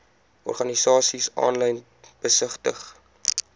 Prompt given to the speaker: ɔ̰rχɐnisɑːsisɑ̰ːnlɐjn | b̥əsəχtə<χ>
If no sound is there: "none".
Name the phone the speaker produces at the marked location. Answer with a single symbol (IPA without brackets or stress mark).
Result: χ